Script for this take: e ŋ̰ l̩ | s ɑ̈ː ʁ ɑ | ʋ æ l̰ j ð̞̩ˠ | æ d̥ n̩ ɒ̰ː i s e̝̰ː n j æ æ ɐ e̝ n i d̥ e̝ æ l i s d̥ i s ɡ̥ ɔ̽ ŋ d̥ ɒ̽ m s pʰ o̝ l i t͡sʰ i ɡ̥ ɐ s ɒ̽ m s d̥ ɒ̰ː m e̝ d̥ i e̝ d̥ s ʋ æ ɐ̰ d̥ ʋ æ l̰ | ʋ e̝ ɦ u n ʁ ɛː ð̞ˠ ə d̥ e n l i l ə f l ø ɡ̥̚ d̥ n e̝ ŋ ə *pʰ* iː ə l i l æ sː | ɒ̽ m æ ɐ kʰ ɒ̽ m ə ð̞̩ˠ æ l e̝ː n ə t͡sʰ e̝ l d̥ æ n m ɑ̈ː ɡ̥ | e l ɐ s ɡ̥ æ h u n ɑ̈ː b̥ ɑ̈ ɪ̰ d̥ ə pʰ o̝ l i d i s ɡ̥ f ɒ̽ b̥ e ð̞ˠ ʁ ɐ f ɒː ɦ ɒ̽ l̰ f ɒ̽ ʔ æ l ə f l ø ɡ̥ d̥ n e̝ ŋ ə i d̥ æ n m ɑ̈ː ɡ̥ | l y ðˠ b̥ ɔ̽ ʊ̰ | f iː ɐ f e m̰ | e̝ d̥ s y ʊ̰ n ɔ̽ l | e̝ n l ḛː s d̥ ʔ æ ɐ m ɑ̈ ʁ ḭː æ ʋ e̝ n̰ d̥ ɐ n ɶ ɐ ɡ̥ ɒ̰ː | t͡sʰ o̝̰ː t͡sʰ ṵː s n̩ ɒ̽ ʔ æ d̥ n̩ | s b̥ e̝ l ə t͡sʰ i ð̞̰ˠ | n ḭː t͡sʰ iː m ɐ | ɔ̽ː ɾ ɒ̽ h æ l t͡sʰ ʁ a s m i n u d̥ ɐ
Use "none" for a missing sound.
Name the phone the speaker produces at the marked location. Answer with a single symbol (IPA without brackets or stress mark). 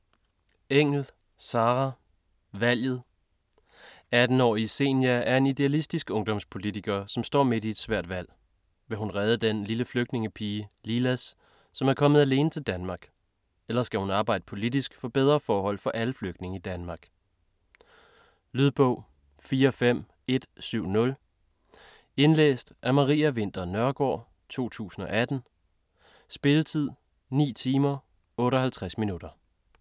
pʰ